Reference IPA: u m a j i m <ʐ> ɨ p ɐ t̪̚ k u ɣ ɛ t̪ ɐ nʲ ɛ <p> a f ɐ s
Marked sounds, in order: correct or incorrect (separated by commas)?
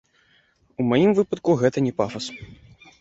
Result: incorrect, correct